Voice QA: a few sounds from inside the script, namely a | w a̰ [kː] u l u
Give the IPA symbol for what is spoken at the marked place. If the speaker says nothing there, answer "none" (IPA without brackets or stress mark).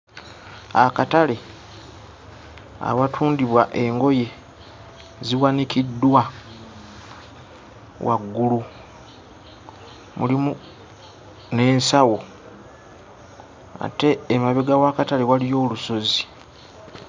ɡː